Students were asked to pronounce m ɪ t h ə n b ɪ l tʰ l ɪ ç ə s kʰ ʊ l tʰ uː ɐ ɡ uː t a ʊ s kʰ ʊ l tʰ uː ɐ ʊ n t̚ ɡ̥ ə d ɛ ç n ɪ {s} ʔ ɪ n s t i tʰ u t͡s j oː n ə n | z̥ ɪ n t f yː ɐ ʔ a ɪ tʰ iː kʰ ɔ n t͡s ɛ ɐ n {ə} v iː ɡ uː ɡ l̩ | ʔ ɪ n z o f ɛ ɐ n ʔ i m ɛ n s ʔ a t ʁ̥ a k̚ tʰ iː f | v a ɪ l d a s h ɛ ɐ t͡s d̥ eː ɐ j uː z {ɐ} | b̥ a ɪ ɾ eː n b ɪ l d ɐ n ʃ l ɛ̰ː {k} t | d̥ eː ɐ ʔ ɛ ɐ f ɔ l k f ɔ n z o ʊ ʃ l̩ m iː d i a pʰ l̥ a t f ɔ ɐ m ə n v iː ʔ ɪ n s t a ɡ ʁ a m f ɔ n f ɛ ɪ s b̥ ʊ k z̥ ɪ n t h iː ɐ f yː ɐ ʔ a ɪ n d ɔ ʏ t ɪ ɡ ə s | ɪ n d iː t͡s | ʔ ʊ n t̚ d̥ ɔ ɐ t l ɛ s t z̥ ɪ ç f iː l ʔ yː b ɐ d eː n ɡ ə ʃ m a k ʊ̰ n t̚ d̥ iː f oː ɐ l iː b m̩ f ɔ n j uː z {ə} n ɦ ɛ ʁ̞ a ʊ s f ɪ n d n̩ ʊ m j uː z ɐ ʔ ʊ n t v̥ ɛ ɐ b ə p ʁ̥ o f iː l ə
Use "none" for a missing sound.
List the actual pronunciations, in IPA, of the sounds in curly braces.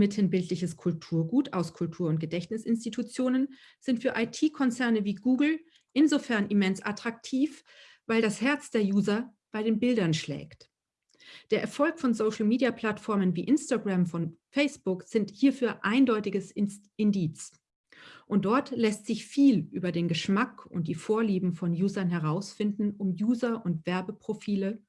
s, ə, ɐ, k, ɐ

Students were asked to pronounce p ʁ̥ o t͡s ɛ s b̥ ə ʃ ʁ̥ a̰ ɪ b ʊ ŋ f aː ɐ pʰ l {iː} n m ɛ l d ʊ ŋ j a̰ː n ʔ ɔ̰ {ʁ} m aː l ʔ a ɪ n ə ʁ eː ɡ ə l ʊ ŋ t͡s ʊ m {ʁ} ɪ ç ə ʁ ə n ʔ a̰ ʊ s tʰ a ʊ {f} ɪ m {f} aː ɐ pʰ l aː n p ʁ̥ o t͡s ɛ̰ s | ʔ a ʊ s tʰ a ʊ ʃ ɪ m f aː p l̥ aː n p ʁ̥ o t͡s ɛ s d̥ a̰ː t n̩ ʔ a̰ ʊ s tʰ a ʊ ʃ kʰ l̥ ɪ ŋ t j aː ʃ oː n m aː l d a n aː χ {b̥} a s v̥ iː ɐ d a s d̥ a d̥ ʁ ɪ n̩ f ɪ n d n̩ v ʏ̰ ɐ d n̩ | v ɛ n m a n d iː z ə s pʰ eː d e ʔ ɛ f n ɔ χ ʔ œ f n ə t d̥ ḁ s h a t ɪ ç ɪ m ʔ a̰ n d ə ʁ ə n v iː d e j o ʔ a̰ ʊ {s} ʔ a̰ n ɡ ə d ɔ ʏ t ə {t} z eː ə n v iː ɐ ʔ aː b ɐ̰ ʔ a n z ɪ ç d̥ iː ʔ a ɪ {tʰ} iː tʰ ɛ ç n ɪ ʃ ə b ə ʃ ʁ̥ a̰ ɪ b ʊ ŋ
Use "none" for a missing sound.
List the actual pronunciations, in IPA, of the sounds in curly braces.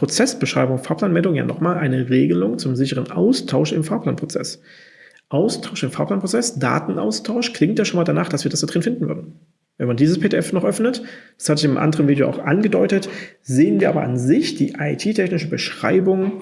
aː, χ, z, ʃ, f, d̥, x, t, tʰ

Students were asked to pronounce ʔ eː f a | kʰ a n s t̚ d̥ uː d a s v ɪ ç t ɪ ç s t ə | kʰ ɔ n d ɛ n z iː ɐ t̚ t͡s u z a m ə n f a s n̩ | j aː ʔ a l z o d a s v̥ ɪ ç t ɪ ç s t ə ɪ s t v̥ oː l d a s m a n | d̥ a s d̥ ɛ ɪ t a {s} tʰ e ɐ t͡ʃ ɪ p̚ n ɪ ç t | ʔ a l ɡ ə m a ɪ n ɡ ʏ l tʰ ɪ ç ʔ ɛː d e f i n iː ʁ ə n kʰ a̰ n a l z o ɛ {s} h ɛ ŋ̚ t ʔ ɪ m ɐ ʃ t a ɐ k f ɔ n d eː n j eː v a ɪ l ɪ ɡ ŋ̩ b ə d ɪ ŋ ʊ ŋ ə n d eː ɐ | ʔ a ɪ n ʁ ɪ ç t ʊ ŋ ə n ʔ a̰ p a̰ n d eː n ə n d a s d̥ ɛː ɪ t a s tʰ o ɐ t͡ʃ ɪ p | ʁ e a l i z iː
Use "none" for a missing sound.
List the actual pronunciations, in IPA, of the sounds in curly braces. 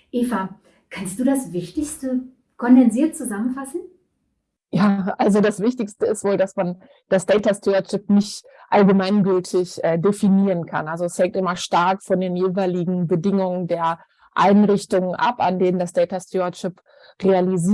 s, s

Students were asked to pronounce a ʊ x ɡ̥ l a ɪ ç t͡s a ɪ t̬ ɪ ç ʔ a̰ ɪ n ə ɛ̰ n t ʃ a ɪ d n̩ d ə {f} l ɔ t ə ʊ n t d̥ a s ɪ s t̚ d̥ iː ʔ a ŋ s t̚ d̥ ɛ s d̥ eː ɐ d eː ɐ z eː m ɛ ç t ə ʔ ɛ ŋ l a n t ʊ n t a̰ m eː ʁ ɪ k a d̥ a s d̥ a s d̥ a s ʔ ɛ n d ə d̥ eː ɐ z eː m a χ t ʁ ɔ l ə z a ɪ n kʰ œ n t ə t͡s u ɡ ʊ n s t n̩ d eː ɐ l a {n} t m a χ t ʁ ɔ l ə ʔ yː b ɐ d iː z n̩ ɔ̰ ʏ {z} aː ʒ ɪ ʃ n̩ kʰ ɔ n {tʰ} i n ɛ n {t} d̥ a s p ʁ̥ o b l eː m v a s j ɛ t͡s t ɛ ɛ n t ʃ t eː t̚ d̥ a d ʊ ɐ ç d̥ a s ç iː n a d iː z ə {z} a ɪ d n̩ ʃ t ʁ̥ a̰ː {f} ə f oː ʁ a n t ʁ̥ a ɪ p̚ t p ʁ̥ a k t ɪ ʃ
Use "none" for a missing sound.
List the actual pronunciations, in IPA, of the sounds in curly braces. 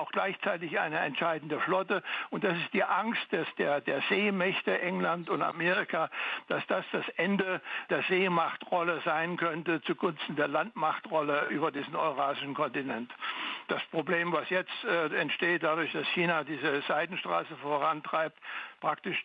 f, n, ʁ, t, t, z, s

